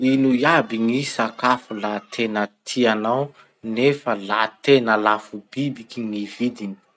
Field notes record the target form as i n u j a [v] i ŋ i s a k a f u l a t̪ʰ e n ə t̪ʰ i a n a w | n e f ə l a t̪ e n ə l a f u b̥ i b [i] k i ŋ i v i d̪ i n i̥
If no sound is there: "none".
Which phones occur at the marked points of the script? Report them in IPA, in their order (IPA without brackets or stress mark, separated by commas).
b, i